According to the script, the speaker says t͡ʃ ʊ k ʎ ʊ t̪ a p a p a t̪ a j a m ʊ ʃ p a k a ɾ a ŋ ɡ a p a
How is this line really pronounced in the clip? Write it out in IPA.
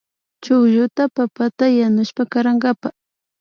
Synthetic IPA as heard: t͡ʃ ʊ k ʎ ʊ t̪ a p a p a t̪ a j a n ʊ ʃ p a k a ɾ a ŋ ɡ a p a